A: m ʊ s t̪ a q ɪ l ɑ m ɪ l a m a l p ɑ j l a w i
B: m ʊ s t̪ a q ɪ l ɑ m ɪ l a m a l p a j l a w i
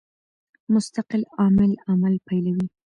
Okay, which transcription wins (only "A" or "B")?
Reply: B